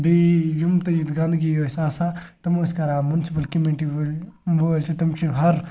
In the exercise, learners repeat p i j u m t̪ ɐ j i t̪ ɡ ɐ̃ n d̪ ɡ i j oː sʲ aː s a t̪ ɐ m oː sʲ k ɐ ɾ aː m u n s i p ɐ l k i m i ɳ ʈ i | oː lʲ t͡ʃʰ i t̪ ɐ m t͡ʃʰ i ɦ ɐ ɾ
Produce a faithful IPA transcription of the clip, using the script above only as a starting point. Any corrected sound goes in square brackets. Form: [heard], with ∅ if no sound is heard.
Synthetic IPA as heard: [b] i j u m t̪ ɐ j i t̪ ɡ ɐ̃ n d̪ ɡ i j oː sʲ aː s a t̪ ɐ m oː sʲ k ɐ ɾ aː m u n s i p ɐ l k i m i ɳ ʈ i | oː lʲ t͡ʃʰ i t̪ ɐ m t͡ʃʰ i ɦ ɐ ɾ